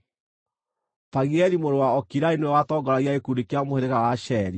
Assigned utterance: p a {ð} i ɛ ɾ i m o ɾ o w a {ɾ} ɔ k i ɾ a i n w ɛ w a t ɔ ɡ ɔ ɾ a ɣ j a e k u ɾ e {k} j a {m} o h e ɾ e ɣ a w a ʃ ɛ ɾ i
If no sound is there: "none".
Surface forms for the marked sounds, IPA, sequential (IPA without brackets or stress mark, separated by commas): ɣ, none, k, m